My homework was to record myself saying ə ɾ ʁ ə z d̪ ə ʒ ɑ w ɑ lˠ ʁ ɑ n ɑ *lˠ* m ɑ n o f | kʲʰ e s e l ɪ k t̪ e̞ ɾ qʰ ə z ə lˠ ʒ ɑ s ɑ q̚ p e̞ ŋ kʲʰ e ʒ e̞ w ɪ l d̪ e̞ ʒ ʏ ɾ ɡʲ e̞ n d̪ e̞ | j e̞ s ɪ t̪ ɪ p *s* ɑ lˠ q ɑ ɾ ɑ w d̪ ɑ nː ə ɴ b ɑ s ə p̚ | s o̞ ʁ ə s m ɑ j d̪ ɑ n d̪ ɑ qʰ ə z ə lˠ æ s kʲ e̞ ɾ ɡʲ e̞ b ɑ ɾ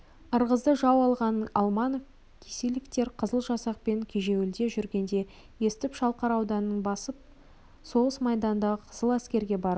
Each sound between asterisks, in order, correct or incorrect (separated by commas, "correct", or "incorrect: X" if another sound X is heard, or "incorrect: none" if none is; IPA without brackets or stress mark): correct, incorrect: ʃ